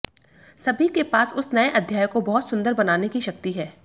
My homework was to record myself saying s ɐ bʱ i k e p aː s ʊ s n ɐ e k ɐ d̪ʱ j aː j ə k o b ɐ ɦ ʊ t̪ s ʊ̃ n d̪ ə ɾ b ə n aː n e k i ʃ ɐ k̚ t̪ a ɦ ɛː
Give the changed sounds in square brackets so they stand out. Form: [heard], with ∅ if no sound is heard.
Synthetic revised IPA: s ɐ bʱ i k e p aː s ʊ s n ɐ e [ʔ] ɐ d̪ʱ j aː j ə k o b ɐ ɦ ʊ t̪ s ʊ̃ n d̪ ə ɾ b [ɐ] n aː n e k i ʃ ɐ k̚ t̪ [i] ɦ ɛː